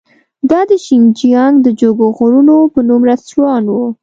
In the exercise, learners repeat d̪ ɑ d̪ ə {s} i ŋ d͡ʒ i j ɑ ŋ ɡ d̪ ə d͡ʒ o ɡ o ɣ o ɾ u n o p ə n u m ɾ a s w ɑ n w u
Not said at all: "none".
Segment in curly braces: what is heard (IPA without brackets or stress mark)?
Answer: ʃ